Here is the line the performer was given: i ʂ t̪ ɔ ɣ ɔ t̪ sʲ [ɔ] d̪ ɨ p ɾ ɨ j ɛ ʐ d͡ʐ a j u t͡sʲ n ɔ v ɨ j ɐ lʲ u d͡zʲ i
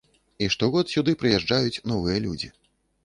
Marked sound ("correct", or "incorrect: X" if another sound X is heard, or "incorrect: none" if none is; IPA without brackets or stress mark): incorrect: u